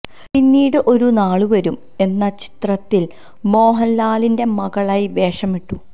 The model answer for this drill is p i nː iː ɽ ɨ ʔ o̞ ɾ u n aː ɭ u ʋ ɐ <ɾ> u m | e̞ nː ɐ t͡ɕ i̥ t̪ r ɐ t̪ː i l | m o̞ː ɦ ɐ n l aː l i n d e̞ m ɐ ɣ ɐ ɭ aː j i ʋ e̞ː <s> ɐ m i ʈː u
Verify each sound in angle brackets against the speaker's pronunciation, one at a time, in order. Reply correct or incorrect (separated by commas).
correct, incorrect